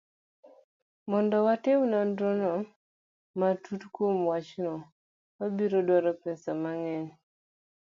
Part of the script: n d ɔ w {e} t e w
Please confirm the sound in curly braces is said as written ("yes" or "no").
no